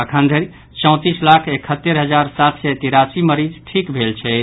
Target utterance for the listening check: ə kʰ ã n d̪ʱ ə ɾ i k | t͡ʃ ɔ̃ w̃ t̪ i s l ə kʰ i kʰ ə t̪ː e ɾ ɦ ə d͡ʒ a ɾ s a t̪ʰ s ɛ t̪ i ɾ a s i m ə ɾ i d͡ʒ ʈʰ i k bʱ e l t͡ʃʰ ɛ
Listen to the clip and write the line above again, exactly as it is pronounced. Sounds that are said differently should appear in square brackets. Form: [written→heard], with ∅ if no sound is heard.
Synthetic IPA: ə kʰ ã n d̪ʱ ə ɾ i [k→∅] | t͡ʃ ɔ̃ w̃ t̪ i s l [ə→a] kʰ [i→e] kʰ ə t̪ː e ɾ ɦ ə d͡ʒ a ɾ s a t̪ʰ s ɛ t̪ i ɾ a s i m ə ɾ i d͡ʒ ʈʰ i k bʱ e l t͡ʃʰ ɛ